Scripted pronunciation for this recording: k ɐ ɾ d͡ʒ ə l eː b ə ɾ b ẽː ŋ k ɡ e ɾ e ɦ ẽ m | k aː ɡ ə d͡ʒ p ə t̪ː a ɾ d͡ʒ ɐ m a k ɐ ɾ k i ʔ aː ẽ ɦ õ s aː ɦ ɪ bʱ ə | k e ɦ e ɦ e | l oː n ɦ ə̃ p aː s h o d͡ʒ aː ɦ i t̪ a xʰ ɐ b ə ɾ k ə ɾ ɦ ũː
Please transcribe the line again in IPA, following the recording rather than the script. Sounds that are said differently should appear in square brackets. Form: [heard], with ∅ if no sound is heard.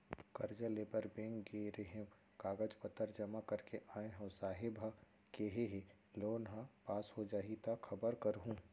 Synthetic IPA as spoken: k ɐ ɾ d͡ʒ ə l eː b ə ɾ b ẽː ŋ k ɡ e ɾ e ɦ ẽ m | k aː ɡ ə d͡ʒ p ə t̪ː [ə] ɾ d͡ʒ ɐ m a k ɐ ɾ k [e] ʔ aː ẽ ɦ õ s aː ɦ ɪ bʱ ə | k e ɦ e ɦ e | l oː n ɦ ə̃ p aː s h o d͡ʒ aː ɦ i t̪ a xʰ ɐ b ə ɾ k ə ɾ ɦ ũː